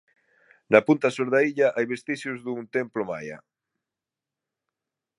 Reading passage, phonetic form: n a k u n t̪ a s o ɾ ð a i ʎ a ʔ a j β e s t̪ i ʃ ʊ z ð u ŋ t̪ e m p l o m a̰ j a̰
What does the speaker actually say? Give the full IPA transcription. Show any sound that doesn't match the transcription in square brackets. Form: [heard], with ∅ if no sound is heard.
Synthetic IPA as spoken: n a [p] u n t̪ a s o ɾ ð a i ʎ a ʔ a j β e s t̪ i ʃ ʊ z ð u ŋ t̪ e m p l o m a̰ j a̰